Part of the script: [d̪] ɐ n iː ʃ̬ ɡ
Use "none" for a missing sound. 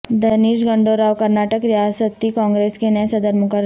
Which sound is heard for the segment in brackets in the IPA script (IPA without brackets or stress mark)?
d̪